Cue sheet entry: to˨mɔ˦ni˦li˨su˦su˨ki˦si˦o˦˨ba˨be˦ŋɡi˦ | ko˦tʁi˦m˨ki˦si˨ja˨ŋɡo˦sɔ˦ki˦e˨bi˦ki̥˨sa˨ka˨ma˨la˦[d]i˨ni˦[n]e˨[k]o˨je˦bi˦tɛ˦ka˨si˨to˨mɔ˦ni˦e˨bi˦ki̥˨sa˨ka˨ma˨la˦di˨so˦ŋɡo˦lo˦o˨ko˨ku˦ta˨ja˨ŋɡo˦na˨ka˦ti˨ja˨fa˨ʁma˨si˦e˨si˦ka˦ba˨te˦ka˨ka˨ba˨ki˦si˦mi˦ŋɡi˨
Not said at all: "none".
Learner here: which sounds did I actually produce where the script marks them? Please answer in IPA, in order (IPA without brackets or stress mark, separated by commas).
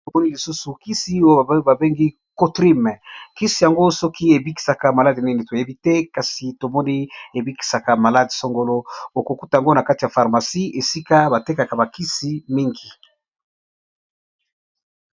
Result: d, n, t